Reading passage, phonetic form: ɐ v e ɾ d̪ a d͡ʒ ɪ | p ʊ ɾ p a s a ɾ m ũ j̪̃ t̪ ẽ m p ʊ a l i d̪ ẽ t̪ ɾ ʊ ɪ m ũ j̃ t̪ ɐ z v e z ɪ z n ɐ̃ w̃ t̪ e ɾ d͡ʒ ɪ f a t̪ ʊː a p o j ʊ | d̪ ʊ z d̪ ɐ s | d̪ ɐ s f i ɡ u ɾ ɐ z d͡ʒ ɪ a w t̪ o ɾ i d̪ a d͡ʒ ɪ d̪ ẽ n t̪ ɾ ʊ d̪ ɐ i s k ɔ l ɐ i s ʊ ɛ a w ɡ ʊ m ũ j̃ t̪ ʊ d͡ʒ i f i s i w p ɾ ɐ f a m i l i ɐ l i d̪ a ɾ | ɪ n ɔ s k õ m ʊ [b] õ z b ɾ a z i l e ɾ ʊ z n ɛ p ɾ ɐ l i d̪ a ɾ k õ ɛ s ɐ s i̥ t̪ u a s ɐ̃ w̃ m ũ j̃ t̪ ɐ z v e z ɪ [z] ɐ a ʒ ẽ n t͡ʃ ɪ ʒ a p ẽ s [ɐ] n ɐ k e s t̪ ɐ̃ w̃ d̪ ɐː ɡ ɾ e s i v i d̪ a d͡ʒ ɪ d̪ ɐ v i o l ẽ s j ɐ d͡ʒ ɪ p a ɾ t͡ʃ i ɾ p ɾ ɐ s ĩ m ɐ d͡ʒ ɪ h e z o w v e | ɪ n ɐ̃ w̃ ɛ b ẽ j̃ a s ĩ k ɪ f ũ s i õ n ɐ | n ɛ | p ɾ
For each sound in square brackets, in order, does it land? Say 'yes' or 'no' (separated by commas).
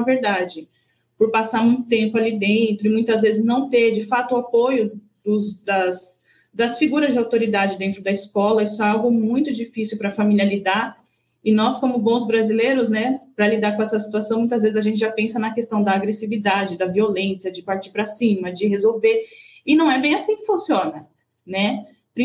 yes, yes, yes